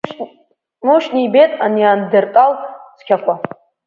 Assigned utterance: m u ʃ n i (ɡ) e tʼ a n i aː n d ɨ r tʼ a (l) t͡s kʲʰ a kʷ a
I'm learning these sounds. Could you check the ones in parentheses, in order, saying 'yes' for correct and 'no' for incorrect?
no, yes

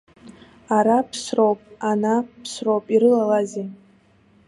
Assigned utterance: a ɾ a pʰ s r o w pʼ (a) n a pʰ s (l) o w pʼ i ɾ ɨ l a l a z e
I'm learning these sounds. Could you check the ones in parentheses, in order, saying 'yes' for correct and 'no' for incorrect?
yes, no

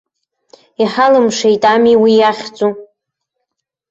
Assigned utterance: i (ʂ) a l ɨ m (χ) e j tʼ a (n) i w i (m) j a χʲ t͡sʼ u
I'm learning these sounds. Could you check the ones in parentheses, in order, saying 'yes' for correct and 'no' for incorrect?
no, no, no, no

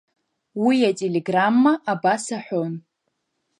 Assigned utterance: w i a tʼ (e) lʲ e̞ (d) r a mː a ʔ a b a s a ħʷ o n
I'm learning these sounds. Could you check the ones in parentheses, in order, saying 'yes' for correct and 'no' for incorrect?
yes, no

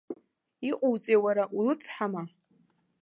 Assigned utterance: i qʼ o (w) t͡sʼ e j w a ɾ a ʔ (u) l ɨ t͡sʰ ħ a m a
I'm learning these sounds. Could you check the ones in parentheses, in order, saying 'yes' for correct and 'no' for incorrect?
yes, yes

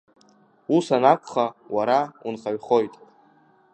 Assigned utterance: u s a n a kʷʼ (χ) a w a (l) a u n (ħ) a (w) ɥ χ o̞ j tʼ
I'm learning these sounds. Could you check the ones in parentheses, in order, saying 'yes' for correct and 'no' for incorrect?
yes, no, no, no

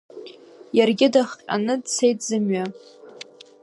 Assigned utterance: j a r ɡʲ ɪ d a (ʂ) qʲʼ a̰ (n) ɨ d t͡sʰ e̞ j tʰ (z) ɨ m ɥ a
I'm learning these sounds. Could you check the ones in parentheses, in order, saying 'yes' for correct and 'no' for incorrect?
no, yes, yes

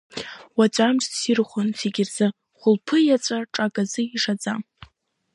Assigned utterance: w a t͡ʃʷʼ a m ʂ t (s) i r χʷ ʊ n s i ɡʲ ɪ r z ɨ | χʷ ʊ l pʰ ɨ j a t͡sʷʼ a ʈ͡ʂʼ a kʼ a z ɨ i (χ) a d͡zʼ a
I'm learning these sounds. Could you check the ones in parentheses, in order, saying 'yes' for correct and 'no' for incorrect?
yes, no

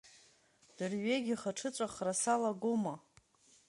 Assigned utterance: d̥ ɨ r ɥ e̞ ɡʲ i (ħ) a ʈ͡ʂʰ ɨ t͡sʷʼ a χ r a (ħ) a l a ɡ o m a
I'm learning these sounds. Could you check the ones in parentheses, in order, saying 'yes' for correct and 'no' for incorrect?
no, no

